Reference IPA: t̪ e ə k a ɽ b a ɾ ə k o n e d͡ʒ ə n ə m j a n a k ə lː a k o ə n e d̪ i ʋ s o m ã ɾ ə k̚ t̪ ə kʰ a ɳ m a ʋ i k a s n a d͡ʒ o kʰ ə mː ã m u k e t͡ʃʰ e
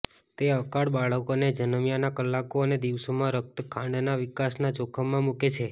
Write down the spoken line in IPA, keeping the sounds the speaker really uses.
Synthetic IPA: t̪ e ə k a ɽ b a ɭ ə k o n e d͡ʒ ə n ə m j a n a k ə lː a k o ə n e d̪ i ʋ s o m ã ɾ ə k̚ t̪ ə kʰ a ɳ n a ʋ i k a s n a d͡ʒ o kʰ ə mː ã m u k e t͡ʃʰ e